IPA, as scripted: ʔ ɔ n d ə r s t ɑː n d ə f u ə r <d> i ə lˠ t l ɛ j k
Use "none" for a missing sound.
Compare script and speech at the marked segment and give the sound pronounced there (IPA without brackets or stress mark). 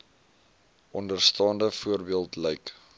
b